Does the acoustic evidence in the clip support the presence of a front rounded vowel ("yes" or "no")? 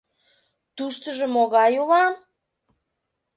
no